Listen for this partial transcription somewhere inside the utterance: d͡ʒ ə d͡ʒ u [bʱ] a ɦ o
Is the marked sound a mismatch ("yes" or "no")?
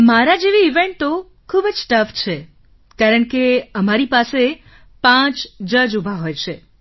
no